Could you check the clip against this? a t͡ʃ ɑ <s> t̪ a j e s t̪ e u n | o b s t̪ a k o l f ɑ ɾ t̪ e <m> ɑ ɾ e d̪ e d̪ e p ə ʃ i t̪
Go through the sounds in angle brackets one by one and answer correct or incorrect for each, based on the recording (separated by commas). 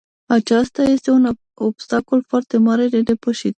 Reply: correct, correct